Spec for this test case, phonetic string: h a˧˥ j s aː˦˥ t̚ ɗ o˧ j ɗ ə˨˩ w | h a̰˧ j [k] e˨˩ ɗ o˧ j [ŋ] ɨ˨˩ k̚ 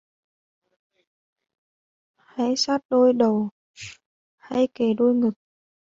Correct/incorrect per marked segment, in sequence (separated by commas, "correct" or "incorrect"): correct, correct